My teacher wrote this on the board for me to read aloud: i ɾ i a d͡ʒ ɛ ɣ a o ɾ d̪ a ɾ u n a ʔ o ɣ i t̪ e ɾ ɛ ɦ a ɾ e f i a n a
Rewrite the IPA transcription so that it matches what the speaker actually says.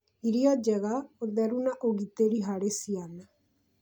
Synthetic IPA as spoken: i ɾ i a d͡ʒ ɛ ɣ a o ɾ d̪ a ɾ u n a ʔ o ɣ i t̪ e ɾ i ɦ a ɾ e s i a n a